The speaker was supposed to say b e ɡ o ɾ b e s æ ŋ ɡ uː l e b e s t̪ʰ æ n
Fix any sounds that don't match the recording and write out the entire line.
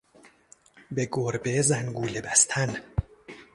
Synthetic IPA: b e ɡ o ɾ b e z æ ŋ ɡ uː l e b æ s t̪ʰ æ n

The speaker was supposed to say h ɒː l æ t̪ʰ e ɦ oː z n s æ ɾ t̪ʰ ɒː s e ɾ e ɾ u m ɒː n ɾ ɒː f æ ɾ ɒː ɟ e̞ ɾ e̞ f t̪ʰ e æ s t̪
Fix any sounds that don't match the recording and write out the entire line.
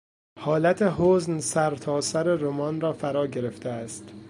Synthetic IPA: h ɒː l æ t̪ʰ e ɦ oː z n s æ ɾ t̪ʰ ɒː s æ ɾ e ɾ o m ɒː n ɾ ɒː f æ ɾ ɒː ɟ e̞ ɾ e̞ f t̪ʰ e æ s t̪

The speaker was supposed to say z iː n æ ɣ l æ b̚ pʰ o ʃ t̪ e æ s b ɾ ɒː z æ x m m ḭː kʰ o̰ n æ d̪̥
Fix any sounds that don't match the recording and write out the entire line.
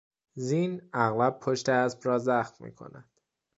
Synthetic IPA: z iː n æ ɣ l æ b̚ pʰ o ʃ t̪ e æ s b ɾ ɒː z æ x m m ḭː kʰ o̰ n æ d̪̥

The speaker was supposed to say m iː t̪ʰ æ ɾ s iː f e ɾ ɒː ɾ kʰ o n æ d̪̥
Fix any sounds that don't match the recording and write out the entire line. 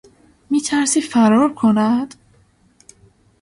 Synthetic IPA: m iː t̪ʰ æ ɾ s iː f æ ɾ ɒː ɾ kʰ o n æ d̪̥

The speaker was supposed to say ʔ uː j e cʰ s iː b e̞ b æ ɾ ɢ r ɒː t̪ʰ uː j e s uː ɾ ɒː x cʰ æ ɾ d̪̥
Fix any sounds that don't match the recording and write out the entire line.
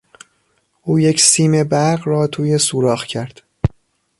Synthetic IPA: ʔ uː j e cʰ s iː m e̞ b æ ɾ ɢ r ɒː t̪ʰ uː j e s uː ɾ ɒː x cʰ æ ɾ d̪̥

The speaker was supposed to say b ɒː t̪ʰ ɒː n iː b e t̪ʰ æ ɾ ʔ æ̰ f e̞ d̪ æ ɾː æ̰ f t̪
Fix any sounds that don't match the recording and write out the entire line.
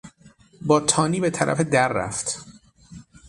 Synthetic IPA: b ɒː t̪ʰ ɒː n iː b e t̪ʰ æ ɾ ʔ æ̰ f e̞ d̪ æ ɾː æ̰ f t̪

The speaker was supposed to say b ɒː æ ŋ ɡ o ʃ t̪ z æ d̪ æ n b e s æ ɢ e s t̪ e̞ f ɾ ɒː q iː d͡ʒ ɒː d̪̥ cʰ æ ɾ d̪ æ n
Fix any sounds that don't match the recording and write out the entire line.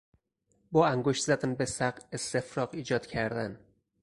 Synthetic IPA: b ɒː æ ŋ ɡ o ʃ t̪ z æ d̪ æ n b e s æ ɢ e s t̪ e̞ f ɾ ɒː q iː d͡ʒ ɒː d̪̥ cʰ æ ɾ d̪ æ n

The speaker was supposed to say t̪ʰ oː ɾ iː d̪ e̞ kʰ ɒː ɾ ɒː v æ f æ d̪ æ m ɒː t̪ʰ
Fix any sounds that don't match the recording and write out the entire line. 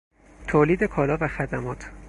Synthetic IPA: t̪ʰ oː l iː d̪ e̞ kʰ ɒː l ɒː v æ x æ d̪ æ m ɒː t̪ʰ

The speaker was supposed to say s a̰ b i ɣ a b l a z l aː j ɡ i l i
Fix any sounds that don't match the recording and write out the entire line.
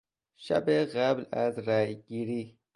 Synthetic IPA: ʃ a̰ b e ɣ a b l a z ɾ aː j ɡ i ɾ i

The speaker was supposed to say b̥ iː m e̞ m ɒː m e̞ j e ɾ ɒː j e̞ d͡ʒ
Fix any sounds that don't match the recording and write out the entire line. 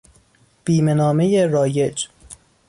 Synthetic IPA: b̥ iː m e̞ n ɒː m e̞ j e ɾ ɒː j e̞ d͡ʒ

